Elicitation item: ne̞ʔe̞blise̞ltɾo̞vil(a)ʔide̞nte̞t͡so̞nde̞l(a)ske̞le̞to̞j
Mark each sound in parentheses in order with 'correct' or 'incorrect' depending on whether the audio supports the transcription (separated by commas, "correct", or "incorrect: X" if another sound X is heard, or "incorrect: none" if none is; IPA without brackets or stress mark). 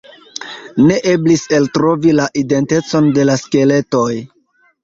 correct, correct